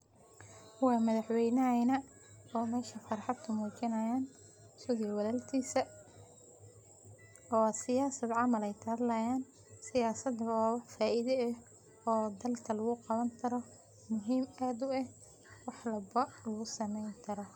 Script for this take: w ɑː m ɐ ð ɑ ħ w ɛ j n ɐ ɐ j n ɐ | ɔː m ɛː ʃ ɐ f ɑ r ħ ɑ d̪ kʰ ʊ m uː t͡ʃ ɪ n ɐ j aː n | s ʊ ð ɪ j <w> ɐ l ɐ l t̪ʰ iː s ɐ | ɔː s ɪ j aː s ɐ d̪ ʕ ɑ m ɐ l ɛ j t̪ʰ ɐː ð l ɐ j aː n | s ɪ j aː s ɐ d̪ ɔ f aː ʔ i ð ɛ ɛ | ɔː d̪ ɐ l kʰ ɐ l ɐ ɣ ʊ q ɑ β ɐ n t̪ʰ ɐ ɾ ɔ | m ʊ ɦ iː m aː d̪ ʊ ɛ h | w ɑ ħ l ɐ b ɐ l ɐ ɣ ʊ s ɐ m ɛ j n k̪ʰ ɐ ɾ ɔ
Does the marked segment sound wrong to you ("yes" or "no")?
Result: no